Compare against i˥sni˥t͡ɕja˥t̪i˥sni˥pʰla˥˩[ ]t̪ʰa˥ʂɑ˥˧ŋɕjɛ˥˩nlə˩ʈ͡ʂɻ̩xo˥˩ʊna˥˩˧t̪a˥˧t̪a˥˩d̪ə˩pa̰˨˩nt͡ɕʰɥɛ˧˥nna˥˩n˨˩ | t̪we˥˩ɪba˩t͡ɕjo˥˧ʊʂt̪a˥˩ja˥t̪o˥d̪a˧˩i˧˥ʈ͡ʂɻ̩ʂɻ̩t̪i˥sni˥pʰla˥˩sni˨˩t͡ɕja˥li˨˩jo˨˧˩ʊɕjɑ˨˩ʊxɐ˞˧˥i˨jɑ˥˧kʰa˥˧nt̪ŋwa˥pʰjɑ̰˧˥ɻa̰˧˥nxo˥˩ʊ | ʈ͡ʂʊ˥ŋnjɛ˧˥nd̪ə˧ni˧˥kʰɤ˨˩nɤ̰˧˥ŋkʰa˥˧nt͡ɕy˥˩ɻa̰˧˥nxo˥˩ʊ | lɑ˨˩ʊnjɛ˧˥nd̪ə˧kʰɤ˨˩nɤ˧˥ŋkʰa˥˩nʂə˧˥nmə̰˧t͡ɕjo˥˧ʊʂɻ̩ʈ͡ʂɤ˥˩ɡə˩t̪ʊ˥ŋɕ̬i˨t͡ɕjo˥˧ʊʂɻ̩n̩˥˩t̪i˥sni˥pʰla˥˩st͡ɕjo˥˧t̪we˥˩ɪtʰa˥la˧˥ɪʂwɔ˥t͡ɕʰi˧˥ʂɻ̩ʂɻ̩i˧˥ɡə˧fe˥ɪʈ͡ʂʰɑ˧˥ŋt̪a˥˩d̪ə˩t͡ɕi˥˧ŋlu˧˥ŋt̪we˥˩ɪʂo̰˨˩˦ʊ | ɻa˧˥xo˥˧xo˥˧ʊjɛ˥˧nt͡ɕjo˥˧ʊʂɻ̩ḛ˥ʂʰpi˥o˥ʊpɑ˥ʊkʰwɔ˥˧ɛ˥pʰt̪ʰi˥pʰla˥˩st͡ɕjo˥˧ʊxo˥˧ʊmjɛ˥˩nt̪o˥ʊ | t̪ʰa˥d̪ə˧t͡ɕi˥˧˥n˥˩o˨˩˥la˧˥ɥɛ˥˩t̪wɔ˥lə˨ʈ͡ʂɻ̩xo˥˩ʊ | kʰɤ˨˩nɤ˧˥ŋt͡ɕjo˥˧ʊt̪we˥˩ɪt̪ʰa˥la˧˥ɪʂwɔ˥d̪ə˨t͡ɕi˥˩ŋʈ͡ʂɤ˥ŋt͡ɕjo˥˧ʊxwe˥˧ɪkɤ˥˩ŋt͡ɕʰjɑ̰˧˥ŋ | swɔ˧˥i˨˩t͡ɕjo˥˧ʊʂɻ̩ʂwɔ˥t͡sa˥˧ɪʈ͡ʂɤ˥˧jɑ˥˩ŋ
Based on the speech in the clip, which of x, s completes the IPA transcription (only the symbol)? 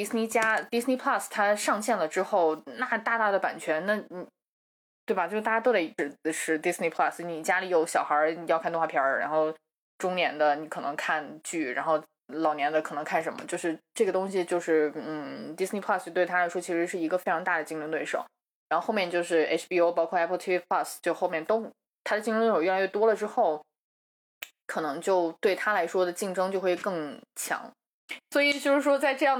s